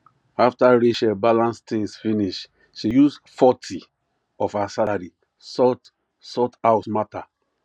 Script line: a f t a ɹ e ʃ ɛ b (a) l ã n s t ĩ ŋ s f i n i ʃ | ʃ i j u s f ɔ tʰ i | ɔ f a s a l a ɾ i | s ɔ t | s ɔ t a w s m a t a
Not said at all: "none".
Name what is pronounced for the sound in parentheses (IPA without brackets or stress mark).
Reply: a